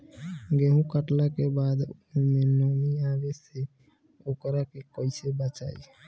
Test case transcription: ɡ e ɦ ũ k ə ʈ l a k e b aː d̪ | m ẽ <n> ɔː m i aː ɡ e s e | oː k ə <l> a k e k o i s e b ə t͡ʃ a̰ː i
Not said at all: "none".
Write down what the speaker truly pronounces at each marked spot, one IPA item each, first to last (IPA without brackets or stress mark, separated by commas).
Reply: n, ɾ